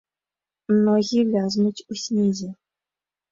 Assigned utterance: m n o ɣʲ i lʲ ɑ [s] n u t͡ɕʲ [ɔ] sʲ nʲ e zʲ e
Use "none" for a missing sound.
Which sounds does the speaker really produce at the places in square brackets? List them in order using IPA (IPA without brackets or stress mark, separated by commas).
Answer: z, u